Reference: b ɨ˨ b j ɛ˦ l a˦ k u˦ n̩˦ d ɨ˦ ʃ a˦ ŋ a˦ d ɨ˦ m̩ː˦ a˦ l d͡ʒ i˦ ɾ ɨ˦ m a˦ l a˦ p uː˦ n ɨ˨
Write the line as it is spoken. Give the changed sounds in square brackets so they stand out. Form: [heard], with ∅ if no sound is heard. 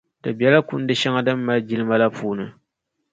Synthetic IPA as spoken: [d] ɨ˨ b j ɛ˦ l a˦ k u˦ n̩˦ d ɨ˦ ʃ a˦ ŋ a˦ d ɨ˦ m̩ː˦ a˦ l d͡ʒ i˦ [l] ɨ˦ m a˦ l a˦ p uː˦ n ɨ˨